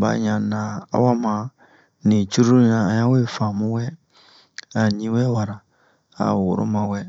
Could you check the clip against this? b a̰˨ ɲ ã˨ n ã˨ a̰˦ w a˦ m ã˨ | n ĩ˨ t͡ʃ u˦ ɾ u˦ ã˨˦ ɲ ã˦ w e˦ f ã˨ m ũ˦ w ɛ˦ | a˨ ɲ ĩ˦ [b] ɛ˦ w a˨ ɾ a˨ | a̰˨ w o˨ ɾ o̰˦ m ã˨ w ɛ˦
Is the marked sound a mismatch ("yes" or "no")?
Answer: yes